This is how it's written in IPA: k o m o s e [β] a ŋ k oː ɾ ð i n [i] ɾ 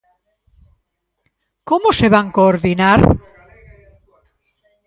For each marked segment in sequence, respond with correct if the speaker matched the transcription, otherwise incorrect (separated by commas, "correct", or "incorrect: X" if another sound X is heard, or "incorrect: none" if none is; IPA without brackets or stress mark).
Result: correct, incorrect: a